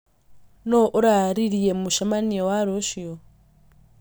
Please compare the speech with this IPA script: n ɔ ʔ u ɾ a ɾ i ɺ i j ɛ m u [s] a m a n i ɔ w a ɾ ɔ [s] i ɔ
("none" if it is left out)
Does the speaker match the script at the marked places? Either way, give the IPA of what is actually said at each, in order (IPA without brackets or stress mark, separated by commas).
ʃ, ʃ